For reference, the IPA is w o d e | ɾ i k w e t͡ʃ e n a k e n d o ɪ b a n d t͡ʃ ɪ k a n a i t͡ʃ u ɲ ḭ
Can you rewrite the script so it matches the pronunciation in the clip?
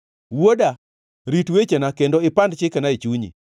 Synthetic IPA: w o d a | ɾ i t w e t͡ʃ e n a k e n d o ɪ p a n d t͡ʃ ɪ k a n a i t͡ʃ u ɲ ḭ